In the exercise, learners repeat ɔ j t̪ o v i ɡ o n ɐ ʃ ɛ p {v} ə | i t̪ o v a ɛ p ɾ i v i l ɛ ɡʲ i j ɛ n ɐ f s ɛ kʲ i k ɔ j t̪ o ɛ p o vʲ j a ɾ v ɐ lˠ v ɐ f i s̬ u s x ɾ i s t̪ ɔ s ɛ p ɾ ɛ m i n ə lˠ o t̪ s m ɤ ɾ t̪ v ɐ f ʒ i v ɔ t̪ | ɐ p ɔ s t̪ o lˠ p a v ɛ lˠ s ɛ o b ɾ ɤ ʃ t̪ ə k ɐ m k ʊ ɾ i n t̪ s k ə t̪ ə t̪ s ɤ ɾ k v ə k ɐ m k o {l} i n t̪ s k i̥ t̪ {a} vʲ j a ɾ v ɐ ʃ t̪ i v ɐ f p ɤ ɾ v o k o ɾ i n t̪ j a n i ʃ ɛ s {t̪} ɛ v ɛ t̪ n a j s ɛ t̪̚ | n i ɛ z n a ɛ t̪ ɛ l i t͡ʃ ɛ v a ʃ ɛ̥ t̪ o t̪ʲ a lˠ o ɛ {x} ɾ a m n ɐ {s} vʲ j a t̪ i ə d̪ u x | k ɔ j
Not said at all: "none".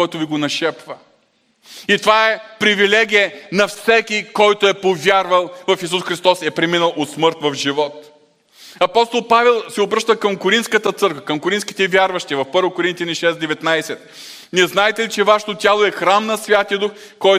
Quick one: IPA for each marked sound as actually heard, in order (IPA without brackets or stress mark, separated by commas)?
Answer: v, ɾ, ɛ, d̪, x, s